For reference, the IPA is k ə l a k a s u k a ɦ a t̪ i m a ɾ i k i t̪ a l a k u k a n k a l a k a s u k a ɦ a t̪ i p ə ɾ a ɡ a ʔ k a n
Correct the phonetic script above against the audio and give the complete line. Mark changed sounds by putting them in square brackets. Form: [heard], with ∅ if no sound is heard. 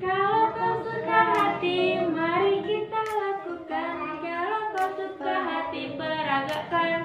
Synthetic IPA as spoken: k [a] l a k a s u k a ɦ a t̪ i m a ɾ i k i t̪ a l a k u k a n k a l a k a s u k a ɦ a t̪ i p ə ɾ a ɡ a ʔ k a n

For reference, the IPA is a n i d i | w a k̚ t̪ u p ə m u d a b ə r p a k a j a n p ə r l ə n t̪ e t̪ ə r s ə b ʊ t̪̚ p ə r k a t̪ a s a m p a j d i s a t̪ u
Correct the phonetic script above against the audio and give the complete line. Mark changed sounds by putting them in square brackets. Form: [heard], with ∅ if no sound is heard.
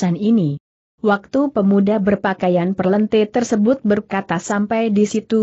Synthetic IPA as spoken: a n i [n] i | w a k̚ t̪ u p ə m u d a b ə r p a k a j a n p ə r l ə n t̪ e t̪ ə r s ə b ʊ t̪̚ [b] ə r k a t̪ a s a m p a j d i s [i] t̪ u

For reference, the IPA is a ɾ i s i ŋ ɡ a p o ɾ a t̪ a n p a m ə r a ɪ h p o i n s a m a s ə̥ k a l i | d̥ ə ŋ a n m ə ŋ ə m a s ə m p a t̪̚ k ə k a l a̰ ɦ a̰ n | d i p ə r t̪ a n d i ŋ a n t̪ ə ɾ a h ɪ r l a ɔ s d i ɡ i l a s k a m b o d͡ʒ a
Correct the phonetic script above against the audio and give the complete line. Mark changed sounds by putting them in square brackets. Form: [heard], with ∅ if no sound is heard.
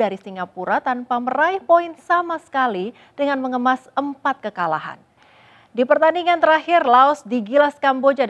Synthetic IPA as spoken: a ɾ i s i ŋ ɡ a p [u] ɾ a t̪ a n p a m ə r a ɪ h p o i n s a m a s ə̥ k a l i | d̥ ə ŋ a n m ə ŋ ə m a s ə m p a t̪̚ k ə k a l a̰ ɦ a̰ n | d i p ə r t̪ a n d i ŋ a n t̪ ə ɾ a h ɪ r l a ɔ s d i ɡ i l a s k a m b o d͡ʒ a

